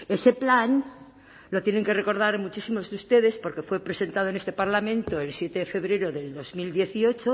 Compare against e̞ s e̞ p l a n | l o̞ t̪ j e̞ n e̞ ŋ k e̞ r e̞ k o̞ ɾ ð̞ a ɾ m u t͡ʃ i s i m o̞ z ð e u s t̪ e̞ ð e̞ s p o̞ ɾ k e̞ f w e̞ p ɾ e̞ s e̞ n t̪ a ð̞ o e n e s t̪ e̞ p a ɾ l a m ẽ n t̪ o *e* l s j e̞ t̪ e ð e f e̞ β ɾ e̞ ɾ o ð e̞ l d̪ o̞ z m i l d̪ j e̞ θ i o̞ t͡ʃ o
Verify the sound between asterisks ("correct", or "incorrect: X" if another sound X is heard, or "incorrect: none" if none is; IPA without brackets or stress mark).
correct